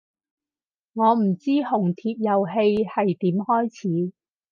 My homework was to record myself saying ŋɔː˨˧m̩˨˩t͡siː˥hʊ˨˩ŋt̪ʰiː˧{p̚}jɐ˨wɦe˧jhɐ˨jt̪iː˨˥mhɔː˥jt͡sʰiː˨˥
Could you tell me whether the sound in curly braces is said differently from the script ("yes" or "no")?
no